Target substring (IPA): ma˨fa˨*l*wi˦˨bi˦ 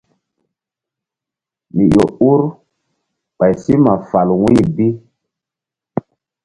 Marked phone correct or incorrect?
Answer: correct